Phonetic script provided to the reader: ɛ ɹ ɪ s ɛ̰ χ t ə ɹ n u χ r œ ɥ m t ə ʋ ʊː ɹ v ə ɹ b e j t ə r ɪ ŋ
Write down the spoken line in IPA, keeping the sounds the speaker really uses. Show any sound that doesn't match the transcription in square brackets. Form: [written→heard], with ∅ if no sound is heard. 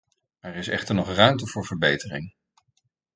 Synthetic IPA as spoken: ɛ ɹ ɪ s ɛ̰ χ t ə ɹ n [u→ɔ] χ r œ ɥ m t ə [ʋ→v] ʊː ɹ v ə ɹ b e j t ə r ɪ ŋ

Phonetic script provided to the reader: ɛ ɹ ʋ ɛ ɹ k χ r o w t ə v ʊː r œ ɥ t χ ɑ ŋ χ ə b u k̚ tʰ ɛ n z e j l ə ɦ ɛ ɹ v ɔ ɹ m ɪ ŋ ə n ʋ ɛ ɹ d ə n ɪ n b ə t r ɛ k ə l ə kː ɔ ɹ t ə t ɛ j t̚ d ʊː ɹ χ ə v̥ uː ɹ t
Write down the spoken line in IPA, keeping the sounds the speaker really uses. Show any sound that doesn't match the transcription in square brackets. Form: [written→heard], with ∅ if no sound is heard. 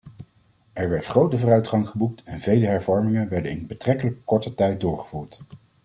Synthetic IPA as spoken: ɛ ɹ ʋ ɛ ɹ [k→t] χ r o w t ə v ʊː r œ ɥ t χ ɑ ŋ χ ə b u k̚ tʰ ɛ n [z→v] e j l ə ɦ ɛ ɹ v ɔ ɹ m ɪ ŋ ə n ʋ ɛ ɹ d ə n ɪ n b ə t r ɛ k ə l ə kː ɔ ɹ t ə t ɛ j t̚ d ʊː ɹ χ ə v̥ uː ɹ t

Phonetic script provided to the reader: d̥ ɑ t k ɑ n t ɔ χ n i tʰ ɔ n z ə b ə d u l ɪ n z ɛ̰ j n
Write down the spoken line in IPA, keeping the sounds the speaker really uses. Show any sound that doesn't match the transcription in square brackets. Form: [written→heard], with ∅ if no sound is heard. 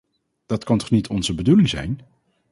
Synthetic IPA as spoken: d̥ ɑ t k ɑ n t ɔ χ n i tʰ ɔ n z ə b ə d u l ɪ [n→ŋ] z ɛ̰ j n

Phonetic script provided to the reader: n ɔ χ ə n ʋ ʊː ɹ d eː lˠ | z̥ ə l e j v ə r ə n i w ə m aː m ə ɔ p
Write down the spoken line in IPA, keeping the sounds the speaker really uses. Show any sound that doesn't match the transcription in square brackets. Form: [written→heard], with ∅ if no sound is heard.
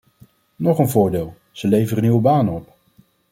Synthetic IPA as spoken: n ɔ χ ə n [ʋ→v] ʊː ɹ d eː lˠ | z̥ ə l e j v ə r ə n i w ə [m→b] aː [m→n] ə ɔ p

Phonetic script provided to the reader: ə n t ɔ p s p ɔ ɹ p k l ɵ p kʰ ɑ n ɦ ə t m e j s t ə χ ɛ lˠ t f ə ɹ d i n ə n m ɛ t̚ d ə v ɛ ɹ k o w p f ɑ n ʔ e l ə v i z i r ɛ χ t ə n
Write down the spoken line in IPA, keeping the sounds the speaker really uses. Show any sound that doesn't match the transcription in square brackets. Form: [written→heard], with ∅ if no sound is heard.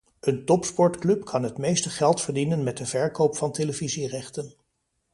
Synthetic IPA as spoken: ə n t ɔ p s p ɔ ɹ [p→t] k l ɵ p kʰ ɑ n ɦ ə t m e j s t ə χ ɛ lˠ t f ə ɹ d i n ə n m ɛ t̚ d ə v ɛ ɹ k o w p f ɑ n [ʔ→t] e l ə v i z i r ɛ χ t ə n

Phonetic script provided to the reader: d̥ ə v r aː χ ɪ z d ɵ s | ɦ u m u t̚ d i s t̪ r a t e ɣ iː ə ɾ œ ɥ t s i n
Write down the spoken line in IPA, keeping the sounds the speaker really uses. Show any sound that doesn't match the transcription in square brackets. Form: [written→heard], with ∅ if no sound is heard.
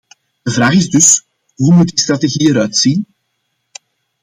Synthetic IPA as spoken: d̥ ə v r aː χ ɪ z d ɵ s | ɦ u m u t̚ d i s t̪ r a t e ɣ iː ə ɾ œ ɥ t s i n

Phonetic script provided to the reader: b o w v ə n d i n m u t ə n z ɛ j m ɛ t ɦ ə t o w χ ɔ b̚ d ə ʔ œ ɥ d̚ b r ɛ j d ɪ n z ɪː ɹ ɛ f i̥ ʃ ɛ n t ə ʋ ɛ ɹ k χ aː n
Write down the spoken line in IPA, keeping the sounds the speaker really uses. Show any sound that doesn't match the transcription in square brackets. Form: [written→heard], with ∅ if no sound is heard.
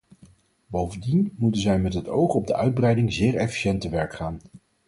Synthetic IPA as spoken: b o w v ə n d i n m u t ə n z ɛ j m ɛ t ɦ ə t o w χ ɔ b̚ d ə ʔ œ ɥ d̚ b r ɛ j d ɪ [n→ŋ] z ɪː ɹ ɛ f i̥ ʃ ɛ n t ə ʋ ɛ ɹ k χ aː n

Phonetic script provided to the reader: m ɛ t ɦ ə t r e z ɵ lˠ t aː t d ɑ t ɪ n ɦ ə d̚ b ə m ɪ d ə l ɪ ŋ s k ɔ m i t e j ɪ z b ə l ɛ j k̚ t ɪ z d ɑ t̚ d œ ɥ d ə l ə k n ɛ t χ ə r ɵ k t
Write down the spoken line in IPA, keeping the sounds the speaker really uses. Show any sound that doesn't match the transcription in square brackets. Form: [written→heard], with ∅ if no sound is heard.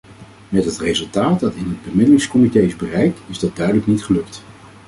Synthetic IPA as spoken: m ɛ t ɦ ə t r e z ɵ lˠ t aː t d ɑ t ɪ n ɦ ə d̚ b ə m ɪ d ə l ɪ ŋ s k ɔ m i t e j ɪ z b ə [l→r] ɛ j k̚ t ɪ z d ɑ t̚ d œ ɥ d ə l ə k n [ɛ→i] t χ ə [r→l] ɵ k t

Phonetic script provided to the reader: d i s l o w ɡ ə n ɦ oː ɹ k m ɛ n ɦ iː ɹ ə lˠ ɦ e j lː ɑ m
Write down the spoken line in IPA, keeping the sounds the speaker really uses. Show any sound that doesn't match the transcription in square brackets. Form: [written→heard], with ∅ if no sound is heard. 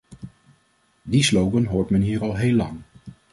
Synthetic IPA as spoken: d i s l o w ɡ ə n ɦ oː ɹ [k→t] m ɛ n ɦ iː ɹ [ə→ɑ] lˠ ɦ e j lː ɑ [m→ŋ]

